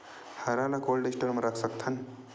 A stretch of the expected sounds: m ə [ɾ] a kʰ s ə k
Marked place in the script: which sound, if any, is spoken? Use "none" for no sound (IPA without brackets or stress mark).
ɾ